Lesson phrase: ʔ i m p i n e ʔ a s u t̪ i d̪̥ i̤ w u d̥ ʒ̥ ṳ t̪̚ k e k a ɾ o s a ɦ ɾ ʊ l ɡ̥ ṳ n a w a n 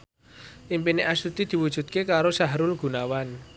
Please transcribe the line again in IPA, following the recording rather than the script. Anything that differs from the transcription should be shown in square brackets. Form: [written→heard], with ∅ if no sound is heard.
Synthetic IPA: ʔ i m p i n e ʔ a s u t̪ i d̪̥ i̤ w u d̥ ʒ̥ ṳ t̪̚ k e k a ɾ o s a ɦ ɾ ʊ l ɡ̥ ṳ n a w a n